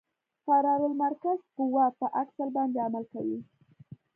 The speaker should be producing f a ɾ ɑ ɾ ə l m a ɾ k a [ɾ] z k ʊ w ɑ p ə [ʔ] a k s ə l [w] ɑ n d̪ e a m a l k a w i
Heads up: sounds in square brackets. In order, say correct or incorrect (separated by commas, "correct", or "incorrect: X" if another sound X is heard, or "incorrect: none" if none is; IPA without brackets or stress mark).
incorrect: none, correct, incorrect: b